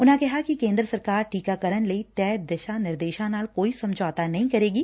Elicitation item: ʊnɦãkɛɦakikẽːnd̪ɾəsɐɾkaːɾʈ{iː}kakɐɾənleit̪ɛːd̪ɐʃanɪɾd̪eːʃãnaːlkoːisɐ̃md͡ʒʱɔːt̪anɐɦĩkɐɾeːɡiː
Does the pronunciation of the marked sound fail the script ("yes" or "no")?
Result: no